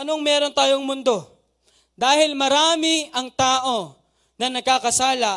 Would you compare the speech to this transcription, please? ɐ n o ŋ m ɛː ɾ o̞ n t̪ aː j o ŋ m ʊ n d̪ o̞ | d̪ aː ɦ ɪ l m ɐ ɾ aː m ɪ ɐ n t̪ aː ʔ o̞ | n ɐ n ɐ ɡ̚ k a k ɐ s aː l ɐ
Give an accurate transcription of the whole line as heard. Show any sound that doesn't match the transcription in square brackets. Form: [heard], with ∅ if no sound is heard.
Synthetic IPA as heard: ɐ n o ŋ m ɛː ɾ o̞ n t̪ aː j o ŋ m ʊ n d̪ o̞ | d̪ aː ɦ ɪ l m ɐ ɾ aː m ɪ ɐ [ŋ] t̪ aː ʔ o̞ | n ɐ n ɐ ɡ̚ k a k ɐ s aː l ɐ